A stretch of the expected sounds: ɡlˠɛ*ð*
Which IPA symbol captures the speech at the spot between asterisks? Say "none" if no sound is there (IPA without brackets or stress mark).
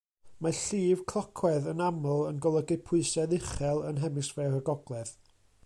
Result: ð